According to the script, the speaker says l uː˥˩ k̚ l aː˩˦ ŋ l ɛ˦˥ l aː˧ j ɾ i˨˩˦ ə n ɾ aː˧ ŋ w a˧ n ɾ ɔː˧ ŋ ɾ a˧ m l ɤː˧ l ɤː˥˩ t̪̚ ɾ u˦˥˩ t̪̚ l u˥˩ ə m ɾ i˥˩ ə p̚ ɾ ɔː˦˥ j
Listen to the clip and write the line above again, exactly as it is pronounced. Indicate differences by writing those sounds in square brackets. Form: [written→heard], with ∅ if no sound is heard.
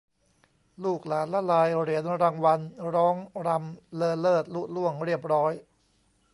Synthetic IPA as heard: l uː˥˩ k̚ l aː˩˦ [ŋ→n] l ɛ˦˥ l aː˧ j ɾ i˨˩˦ ə n ɾ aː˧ ŋ w a˧ n ɾ [ɔː˧→ɔː˦˥] ŋ ɾ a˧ m l ɤː˧ l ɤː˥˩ t̪̚ [ɾ→l] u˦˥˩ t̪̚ l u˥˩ ə [m→ŋ] ɾ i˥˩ ə p̚ ɾ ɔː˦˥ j

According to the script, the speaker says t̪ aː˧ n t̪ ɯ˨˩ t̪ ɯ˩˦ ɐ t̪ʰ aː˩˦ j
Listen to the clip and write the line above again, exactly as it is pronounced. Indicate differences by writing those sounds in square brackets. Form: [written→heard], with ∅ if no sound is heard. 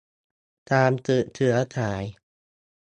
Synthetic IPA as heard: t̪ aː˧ [n→m] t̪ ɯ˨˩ [t̪→t̪ʰ] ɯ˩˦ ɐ t̪ʰ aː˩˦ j

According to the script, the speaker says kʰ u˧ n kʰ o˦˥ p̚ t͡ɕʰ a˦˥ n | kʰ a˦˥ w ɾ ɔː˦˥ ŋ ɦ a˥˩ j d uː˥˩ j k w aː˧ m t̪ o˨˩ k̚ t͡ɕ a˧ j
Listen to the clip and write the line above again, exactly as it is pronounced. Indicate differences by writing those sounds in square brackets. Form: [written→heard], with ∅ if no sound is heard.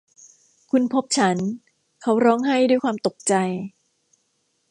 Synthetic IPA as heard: kʰ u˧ n [kʰ→pʰ] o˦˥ p̚ t͡ɕʰ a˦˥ n | kʰ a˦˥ w ɾ ɔː˦˥ ŋ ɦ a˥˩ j d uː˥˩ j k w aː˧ m t̪ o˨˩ k̚ t͡ɕ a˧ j

